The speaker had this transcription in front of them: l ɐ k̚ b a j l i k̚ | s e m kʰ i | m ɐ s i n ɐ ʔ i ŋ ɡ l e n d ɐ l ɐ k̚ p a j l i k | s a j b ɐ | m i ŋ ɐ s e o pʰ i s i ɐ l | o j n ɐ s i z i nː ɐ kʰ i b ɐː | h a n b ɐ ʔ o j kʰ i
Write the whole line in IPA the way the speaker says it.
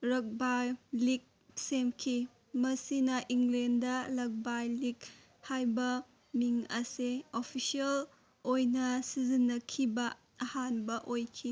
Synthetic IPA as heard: ɾ ɐ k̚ b a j l i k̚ | s e m kʰ i | m ɐ s i n ɐ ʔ i ŋ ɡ l e n d ɐ l ɐ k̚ b a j l i k | h a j b ɐ | m i ŋ ɐ s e o pʰ i s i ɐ l | o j n ɐ s i z i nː ɐ kʰ i b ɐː | h a n b ɐ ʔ o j kʰ i